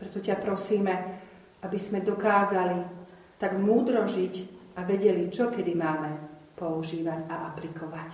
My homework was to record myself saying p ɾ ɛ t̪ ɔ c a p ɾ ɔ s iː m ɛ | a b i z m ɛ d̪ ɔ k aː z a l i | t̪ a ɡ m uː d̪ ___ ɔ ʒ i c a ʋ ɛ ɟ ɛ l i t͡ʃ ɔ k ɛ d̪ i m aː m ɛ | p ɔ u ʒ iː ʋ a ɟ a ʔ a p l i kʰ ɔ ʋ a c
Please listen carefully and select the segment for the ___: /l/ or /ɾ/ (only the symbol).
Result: ɾ